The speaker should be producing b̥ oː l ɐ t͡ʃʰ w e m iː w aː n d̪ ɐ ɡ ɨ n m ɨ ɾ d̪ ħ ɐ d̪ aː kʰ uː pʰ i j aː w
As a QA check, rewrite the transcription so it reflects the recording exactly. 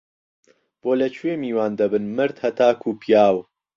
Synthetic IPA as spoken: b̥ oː l ɐ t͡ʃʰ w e m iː w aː n d̪ ɐ b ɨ n m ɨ ɾ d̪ h ɐ t̪ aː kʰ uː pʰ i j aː w